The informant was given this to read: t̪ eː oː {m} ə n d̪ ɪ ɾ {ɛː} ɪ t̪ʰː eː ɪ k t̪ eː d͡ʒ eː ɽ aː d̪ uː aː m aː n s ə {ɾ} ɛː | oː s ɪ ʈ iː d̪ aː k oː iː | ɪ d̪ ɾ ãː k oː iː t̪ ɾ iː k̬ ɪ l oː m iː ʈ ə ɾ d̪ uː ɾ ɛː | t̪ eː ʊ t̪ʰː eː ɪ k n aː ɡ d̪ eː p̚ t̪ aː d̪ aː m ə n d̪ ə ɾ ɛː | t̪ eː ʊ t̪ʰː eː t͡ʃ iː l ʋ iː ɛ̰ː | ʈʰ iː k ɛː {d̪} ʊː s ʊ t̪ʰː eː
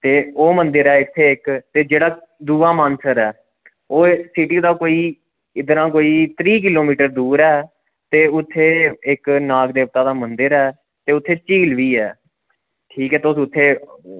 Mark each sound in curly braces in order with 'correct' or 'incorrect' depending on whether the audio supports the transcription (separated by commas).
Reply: correct, correct, correct, incorrect